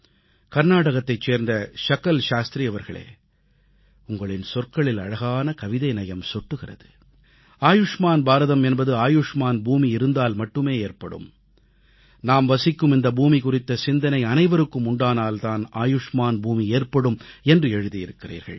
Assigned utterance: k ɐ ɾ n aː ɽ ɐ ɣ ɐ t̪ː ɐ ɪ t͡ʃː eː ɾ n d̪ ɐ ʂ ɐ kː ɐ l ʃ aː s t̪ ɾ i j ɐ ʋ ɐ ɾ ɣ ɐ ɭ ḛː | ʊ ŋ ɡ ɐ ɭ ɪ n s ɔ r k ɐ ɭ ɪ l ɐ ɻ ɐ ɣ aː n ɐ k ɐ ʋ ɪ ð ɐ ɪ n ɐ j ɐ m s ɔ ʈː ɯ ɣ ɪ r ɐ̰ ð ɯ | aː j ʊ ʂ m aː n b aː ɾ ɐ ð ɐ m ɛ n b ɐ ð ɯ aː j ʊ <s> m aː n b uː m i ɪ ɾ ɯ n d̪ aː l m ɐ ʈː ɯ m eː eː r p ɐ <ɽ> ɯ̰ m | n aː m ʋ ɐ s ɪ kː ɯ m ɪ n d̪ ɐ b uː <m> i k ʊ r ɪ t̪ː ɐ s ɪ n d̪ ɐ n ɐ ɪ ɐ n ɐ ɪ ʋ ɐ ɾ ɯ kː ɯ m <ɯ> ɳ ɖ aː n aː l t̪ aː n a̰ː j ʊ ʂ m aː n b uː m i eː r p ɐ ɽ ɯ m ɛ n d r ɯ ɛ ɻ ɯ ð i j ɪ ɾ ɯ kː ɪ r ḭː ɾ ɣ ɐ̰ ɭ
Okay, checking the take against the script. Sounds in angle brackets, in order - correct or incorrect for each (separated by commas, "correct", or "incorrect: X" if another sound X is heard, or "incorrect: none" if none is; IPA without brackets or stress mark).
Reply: incorrect: ʂ, correct, correct, incorrect: ʊ